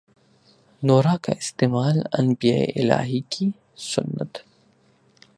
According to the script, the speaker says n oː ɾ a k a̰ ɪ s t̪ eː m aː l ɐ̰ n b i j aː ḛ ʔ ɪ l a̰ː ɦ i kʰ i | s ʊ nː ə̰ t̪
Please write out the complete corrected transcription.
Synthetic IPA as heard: n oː ɾ a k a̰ ɪ s t̪ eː m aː l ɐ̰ n b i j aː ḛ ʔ ɪ l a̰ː ɦ i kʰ i | s ʊ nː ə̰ t̪